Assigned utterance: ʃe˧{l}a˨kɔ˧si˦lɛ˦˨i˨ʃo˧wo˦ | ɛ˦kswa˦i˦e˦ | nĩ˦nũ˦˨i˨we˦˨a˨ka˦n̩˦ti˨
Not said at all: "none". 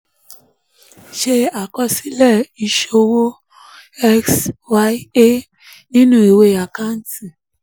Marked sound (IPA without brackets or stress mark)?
none